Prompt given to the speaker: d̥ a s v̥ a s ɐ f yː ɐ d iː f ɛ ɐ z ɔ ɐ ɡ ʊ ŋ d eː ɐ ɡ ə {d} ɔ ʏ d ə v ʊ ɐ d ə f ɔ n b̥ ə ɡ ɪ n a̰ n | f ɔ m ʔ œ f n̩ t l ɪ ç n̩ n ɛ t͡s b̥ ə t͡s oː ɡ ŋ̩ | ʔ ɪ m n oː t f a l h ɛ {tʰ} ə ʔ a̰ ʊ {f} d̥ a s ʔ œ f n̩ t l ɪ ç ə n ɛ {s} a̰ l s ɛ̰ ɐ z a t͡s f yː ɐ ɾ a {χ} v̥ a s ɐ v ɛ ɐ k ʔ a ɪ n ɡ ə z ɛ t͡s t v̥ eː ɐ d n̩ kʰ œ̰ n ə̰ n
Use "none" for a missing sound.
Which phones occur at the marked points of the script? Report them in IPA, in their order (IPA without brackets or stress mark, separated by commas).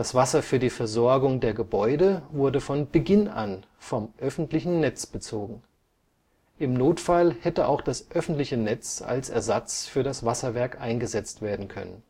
b, t, x, t͡s, s